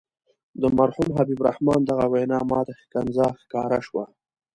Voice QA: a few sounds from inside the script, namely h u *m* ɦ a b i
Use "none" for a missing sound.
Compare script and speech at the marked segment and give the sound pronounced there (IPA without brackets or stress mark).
m